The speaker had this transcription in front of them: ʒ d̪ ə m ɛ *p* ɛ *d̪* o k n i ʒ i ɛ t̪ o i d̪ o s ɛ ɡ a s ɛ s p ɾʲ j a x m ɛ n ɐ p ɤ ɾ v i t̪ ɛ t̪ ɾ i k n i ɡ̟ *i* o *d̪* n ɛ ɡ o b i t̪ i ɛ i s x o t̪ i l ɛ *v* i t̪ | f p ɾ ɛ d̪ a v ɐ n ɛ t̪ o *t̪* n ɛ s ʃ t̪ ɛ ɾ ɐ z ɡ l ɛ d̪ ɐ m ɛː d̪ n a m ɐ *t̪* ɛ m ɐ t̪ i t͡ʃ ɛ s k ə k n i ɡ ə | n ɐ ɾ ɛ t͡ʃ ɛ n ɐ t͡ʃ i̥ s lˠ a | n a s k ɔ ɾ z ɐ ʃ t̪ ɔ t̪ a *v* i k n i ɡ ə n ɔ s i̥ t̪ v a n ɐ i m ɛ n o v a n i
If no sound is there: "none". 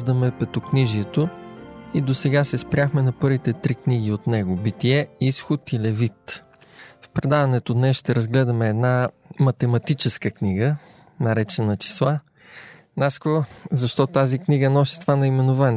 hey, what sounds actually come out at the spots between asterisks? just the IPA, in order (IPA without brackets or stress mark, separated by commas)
p, t̪, i, t̪, v, d̪, t̪, z